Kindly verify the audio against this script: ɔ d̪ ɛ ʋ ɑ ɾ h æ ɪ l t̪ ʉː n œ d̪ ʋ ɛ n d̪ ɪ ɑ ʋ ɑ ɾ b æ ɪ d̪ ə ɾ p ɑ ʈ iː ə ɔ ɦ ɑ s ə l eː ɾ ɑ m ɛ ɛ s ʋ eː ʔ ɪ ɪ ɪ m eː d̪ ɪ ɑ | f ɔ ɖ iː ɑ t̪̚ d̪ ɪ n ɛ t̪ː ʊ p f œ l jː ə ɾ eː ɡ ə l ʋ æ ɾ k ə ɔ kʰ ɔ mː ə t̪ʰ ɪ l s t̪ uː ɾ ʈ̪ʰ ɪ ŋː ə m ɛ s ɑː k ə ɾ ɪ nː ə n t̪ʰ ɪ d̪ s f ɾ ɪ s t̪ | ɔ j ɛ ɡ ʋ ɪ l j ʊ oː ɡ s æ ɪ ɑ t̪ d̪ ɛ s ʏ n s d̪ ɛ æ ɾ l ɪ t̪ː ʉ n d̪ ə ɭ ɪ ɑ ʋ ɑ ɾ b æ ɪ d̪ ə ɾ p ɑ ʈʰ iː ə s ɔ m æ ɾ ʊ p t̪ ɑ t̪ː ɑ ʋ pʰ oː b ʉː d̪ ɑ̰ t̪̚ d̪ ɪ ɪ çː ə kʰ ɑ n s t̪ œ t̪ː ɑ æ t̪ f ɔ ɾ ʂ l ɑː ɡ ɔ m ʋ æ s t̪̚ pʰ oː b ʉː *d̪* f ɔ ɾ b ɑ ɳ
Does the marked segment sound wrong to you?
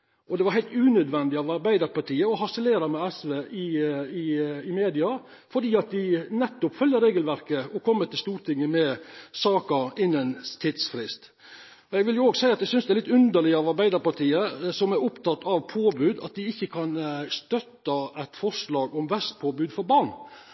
no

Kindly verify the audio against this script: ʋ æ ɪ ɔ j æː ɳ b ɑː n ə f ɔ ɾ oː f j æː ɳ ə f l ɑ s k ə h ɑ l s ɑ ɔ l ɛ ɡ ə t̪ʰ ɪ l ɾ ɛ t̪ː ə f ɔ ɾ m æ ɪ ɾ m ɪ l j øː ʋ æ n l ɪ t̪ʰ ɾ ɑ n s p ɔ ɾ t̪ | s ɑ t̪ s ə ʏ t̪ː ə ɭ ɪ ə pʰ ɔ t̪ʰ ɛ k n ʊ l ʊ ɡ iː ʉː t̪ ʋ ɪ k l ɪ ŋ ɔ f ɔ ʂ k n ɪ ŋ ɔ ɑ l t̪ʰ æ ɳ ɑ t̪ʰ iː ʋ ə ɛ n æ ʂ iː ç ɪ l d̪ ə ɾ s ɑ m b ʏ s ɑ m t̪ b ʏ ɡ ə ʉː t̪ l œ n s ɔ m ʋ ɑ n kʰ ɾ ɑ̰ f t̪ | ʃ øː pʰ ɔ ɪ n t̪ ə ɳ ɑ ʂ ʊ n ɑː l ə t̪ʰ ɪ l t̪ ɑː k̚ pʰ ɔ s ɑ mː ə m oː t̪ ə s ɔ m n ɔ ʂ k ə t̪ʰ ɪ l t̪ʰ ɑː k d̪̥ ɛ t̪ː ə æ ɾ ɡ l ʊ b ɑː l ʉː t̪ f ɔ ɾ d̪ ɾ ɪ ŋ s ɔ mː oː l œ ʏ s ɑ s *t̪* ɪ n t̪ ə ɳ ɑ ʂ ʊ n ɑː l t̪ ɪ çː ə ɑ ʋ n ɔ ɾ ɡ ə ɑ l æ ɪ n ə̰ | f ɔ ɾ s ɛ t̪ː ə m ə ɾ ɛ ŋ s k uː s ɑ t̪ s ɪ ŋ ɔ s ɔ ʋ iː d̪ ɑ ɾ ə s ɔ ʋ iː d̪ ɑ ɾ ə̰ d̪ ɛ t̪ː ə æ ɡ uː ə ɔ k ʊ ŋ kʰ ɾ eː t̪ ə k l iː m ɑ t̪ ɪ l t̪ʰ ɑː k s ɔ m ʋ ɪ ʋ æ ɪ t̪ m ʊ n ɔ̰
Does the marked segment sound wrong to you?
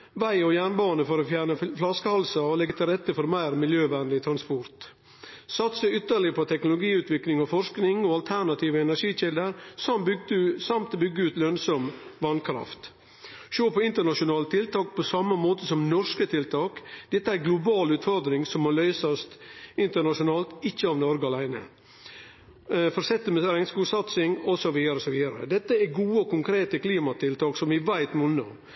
no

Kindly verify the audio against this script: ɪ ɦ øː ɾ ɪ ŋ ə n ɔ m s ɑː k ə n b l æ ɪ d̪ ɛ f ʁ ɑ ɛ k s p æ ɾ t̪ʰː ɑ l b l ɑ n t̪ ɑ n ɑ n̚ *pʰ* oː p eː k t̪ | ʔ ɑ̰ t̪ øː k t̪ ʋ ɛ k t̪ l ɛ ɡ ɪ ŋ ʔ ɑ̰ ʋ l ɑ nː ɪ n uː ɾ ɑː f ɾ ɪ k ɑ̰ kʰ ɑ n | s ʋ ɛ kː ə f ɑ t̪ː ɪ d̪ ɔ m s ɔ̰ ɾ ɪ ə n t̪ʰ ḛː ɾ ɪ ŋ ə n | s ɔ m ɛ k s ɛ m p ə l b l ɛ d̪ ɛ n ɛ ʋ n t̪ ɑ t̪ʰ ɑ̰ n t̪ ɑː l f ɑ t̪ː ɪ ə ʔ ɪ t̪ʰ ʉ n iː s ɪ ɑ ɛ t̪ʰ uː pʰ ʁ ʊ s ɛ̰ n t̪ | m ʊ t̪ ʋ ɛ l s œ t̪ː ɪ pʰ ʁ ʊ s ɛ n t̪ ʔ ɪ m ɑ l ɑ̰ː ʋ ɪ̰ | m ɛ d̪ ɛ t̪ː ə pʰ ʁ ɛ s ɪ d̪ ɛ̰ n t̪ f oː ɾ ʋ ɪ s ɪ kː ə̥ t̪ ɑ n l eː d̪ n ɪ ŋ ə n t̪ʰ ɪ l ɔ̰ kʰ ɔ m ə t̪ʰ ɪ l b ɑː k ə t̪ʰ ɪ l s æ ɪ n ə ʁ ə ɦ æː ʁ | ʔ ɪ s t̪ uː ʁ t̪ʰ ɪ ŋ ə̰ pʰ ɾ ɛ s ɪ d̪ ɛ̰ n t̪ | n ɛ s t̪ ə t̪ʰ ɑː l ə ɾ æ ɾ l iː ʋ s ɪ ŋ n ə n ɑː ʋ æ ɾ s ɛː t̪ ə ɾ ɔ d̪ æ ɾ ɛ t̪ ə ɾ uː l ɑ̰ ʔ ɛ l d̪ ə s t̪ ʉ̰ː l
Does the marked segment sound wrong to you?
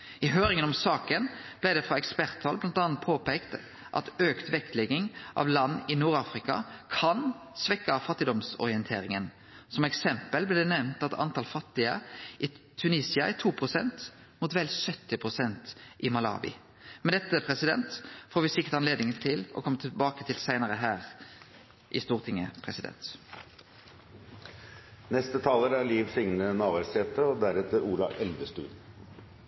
no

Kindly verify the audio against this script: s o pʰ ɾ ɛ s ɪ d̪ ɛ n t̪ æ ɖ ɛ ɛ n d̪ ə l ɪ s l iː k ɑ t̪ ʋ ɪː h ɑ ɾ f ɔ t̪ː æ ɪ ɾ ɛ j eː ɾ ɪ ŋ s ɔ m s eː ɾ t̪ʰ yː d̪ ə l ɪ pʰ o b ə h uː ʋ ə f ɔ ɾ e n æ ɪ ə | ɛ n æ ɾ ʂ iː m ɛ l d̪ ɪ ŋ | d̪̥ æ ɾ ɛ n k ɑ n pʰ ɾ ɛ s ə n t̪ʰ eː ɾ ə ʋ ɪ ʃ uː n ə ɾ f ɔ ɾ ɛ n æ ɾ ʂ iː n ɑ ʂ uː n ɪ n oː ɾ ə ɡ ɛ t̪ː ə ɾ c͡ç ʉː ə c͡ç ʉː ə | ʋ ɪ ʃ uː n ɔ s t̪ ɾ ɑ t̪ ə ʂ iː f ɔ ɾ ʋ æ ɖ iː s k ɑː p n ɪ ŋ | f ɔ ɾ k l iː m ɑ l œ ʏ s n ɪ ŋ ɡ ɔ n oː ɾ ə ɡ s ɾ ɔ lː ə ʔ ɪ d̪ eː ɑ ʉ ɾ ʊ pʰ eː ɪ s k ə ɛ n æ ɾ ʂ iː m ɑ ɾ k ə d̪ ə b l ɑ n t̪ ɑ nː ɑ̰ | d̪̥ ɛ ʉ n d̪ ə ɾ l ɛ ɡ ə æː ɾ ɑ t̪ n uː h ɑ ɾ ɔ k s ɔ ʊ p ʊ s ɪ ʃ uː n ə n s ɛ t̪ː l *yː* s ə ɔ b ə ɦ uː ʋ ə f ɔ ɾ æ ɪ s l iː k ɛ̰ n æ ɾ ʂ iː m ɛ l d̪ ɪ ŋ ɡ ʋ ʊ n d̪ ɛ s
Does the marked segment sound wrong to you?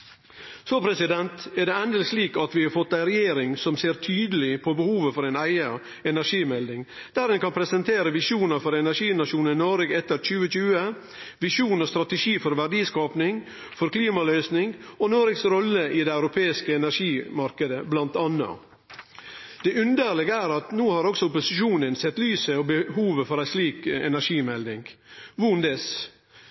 no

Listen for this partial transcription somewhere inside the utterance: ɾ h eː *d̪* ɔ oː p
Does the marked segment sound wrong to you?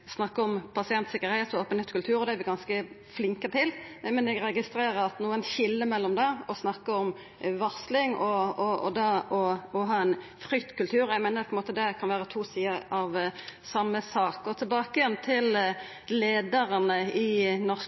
yes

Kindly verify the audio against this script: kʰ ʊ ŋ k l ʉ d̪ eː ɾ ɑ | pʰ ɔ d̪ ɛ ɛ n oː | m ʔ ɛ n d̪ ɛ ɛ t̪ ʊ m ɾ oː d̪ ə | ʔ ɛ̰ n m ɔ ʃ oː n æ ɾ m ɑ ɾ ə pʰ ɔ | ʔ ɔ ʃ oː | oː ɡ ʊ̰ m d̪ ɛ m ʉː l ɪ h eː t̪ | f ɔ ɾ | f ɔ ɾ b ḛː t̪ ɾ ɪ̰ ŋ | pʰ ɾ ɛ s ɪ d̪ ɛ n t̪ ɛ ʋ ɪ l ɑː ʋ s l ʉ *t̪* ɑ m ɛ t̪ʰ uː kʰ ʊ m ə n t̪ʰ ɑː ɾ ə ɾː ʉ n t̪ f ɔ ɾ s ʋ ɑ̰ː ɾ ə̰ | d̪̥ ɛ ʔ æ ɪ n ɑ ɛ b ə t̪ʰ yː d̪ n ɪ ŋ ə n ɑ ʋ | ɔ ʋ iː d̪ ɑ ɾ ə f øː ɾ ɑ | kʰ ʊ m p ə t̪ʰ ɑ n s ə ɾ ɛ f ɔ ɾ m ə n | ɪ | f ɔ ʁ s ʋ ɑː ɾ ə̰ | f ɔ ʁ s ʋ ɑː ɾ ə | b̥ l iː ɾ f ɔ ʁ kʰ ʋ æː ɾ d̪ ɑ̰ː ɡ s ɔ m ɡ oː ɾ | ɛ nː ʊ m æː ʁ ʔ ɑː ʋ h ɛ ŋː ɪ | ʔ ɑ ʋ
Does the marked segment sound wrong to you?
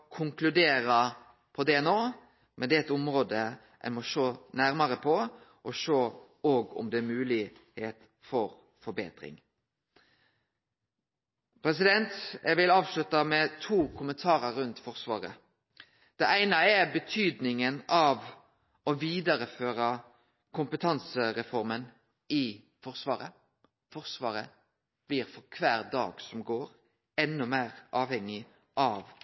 no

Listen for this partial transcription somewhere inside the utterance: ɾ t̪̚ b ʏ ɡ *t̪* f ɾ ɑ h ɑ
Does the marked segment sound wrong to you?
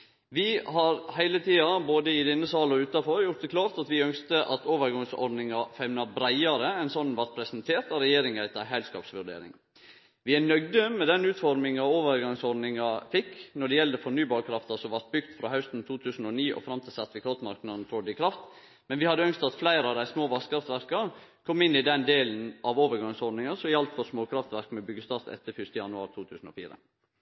no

